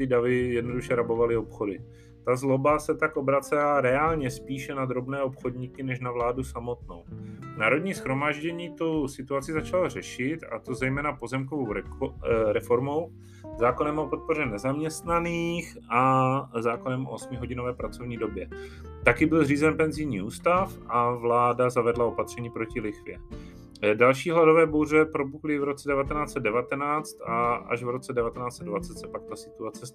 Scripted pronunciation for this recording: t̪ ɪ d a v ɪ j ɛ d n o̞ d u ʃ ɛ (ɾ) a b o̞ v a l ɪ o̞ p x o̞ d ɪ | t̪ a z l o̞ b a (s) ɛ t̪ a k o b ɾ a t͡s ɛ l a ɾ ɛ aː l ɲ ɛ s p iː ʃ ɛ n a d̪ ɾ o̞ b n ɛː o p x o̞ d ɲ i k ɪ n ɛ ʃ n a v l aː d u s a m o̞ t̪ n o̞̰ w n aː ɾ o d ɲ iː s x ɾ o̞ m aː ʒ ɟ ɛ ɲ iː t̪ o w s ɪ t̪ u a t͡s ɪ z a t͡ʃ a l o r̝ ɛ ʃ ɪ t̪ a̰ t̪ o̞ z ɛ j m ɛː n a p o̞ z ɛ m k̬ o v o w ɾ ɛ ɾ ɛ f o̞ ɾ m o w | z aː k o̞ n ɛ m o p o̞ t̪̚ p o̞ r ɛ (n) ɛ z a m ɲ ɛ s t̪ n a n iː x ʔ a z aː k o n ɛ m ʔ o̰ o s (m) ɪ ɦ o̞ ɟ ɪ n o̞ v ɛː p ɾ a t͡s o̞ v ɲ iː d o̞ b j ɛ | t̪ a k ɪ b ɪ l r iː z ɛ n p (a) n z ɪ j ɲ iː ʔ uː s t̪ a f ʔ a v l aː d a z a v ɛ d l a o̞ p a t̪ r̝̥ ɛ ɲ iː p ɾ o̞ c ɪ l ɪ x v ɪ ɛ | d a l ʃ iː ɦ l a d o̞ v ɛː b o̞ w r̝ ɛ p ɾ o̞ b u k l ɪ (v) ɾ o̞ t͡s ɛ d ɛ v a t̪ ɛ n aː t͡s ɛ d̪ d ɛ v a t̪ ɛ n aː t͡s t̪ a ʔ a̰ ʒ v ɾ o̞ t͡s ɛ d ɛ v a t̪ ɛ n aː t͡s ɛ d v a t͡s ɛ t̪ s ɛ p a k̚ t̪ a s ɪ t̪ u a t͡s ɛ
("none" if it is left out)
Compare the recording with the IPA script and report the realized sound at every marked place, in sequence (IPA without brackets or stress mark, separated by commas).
ɾ, s, n, m, ɛ, v